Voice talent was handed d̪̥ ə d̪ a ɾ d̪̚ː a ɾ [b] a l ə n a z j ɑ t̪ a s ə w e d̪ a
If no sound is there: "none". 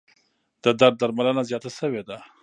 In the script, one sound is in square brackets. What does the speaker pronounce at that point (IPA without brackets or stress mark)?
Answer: m